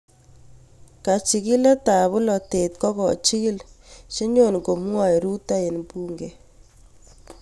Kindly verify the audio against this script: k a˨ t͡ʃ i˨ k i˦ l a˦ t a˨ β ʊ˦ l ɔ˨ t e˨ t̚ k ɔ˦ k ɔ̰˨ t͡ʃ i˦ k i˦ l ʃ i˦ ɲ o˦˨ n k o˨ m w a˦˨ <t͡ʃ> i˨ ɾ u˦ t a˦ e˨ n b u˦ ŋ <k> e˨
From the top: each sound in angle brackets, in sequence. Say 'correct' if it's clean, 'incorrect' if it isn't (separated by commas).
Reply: incorrect, incorrect